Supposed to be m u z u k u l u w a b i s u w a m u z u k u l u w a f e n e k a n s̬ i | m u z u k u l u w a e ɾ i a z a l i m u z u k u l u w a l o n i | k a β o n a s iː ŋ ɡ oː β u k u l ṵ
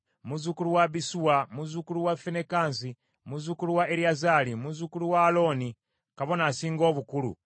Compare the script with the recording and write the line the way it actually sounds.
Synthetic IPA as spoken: m u z u k u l u w a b i s u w a m u z u k u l u w a f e n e k a n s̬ i | m u z u k u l u w a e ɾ i a z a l i m u z u k u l u w a l o n i | k a β o n a s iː ŋ ɡ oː β u k u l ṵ